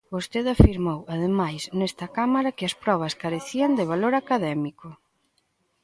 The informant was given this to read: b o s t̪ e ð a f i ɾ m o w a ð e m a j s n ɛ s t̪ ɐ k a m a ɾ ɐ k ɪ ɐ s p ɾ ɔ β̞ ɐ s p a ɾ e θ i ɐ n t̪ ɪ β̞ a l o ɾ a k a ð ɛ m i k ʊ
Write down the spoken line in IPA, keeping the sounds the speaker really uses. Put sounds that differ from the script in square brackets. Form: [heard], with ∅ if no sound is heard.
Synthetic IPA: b o s t̪ e ð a f i ɾ m o w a ð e m a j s n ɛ s t̪ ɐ k a m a ɾ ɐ k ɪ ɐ s p ɾ ɔ β̞ ɐ s [k] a ɾ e θ i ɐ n [d̪] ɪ β̞ a l o ɾ a k a ð ɛ m i k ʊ